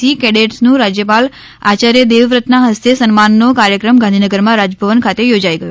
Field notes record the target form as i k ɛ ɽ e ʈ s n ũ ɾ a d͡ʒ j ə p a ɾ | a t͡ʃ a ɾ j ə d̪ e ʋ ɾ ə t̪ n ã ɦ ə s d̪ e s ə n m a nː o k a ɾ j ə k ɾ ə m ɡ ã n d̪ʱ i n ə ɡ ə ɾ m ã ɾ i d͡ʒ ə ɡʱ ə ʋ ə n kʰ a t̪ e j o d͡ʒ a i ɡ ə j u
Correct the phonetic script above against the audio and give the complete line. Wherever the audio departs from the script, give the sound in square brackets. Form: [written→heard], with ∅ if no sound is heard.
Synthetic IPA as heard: i k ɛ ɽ e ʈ s n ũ ɾ a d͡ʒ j ə p a [ɾ→l] | a t͡ʃ a ɾ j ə d̪ e ʋ ɾ ə t̪ n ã ɦ ə s [d̪→t̪] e s ə n m a nː o k a ɾ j ə k ɾ ə m ɡ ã n d̪ʱ i n ə ɡ ə ɾ m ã ɾ [i→a] d͡ʒ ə [ɡʱ→bʱ] ə ʋ ə n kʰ a t̪ e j o d͡ʒ a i ɡ ə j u